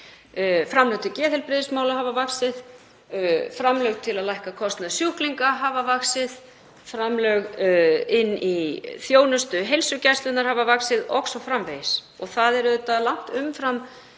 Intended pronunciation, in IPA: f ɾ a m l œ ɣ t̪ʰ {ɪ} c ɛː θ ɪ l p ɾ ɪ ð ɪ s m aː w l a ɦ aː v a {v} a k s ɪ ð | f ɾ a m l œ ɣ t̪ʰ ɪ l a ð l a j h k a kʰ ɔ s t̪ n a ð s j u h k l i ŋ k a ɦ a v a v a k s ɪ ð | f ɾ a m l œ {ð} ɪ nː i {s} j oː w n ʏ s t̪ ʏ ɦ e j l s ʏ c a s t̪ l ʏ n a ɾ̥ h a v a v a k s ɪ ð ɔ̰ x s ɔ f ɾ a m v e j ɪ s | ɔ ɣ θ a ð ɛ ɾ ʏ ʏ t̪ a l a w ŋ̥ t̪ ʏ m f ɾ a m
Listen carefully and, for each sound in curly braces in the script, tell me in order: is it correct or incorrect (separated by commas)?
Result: correct, correct, incorrect, incorrect